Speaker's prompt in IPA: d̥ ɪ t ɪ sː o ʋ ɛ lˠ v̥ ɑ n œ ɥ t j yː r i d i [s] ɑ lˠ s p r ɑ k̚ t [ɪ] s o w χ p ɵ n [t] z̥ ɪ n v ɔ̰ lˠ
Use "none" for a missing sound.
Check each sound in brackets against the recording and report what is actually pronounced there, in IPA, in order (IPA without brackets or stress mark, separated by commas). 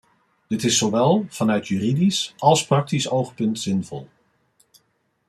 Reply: s, i, t